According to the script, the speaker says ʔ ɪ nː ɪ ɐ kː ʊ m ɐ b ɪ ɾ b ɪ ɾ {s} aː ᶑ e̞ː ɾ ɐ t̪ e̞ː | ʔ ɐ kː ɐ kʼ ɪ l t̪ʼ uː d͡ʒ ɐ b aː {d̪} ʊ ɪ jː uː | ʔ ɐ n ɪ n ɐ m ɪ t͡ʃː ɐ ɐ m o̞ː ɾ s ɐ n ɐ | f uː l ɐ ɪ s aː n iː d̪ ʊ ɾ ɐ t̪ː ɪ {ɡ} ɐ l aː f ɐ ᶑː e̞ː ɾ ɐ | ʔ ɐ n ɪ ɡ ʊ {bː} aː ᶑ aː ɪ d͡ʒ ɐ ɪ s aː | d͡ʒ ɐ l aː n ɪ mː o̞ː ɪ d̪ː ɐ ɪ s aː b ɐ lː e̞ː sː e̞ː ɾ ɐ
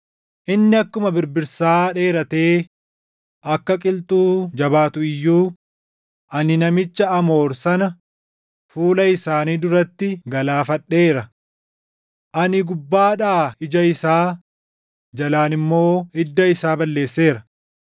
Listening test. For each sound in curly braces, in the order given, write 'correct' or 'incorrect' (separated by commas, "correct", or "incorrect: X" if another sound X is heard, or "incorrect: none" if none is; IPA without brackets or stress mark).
correct, incorrect: t̪, correct, correct